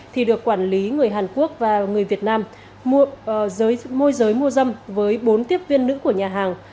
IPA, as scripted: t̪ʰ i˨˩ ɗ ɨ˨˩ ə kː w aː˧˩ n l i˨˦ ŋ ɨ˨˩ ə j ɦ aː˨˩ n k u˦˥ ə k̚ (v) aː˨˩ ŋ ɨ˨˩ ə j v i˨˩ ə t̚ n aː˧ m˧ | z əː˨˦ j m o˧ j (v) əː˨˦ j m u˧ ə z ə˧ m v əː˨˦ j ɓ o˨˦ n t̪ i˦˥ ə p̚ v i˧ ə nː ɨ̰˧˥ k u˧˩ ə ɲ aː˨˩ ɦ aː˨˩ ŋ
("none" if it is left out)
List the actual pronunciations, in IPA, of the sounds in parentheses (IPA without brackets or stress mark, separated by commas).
v, z